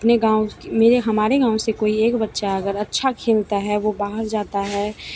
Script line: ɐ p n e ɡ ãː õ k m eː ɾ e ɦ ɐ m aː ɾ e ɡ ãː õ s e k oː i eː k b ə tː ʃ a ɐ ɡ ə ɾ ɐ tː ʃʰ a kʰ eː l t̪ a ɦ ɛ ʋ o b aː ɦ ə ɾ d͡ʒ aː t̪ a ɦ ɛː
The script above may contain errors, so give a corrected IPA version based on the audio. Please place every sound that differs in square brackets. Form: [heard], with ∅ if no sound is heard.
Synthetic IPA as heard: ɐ p n e ɡ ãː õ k m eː ɾ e ɦ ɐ m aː ɾ e ɡ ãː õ s e k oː i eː k b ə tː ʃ a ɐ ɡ ə ɾ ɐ tː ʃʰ a kʰ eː l t̪ a ɦ ɛ ʋ o b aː ɦ ə ɾ d͡ʒ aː t̪ a ɦ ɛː